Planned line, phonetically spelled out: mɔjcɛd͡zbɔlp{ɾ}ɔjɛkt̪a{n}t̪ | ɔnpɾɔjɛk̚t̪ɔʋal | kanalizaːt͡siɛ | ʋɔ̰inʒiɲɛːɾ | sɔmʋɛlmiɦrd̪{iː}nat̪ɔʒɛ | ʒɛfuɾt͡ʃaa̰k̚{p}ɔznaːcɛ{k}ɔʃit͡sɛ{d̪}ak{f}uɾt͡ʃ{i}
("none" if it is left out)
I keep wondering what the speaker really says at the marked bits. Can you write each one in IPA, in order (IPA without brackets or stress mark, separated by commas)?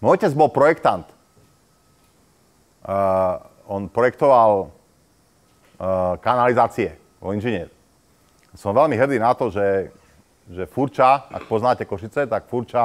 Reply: ɾ, n, iː, p, k, t̪, f, a